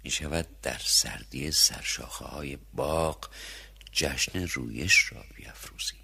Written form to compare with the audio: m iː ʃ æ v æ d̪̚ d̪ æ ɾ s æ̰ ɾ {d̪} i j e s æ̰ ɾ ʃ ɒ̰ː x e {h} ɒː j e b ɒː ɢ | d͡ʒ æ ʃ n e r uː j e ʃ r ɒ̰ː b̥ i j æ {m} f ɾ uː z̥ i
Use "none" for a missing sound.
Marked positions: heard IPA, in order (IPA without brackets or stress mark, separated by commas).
d̪, h, none